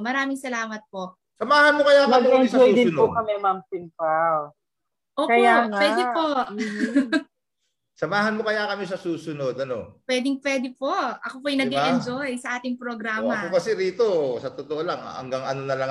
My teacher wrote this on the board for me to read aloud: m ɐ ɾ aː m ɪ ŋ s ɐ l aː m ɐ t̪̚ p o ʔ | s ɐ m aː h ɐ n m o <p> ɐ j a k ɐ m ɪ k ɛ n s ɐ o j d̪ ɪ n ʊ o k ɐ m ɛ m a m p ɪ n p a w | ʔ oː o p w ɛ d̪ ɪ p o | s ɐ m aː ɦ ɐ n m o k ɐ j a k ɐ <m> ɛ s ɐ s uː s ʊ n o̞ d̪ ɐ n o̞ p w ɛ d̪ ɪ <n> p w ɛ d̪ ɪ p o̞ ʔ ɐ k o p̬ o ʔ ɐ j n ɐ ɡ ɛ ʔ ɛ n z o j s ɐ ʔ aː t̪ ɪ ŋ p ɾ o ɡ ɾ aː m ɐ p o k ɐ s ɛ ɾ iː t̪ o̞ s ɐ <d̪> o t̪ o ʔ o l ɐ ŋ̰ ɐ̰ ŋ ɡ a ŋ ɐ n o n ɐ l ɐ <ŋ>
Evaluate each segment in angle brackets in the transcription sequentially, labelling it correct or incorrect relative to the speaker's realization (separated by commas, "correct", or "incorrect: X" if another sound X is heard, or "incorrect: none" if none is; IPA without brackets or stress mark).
incorrect: k, correct, incorrect: ŋ, incorrect: t̪, correct